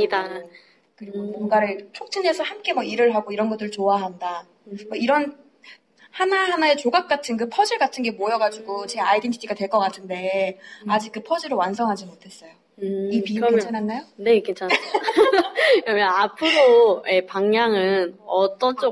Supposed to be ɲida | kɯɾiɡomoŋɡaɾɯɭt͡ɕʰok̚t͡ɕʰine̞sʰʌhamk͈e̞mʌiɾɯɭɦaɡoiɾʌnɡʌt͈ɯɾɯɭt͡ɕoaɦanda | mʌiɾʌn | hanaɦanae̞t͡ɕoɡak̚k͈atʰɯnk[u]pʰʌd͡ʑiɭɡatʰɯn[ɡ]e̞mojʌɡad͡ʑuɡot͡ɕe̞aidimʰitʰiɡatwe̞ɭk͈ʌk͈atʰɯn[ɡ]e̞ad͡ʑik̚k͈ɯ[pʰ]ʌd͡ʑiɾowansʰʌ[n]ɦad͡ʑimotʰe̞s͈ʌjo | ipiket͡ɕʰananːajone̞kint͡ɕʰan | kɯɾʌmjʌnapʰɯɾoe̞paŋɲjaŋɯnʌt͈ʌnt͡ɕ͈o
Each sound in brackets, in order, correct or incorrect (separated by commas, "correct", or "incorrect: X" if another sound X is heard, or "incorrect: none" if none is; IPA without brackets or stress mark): incorrect: ɯ, correct, incorrect: d, correct, incorrect: ŋ